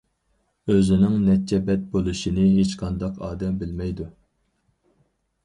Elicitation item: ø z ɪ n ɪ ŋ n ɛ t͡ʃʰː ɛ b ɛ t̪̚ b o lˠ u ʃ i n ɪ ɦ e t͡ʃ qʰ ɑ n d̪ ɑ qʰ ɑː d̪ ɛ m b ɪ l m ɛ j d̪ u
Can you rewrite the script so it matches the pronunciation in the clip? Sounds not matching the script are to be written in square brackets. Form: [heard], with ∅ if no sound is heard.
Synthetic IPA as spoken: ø z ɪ n ɪ ŋ n ɛ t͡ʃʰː ɛ b ɛ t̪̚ b o lˠ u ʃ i n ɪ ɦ e t͡ʃ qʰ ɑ n d̪ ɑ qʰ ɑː d̪ ɛ m b ɪ l m ɛ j d̪ u